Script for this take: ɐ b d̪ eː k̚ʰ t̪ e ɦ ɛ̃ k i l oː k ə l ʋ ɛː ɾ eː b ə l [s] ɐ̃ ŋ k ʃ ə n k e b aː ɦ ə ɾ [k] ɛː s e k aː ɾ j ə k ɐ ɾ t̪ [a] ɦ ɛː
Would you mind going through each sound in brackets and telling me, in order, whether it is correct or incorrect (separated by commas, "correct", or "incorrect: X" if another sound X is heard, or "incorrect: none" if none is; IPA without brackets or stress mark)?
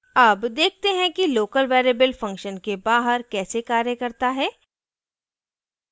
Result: incorrect: f, correct, correct